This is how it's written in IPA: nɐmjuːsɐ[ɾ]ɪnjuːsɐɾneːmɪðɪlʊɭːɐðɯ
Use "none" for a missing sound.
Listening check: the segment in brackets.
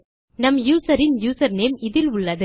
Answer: ɾ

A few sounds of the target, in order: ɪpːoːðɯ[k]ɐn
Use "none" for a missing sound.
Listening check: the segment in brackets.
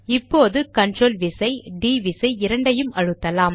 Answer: k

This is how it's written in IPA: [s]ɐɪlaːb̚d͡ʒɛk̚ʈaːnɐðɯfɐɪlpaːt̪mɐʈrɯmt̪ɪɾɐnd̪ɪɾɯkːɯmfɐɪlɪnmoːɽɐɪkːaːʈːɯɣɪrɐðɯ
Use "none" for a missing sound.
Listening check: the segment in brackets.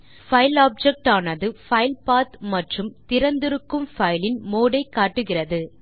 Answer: f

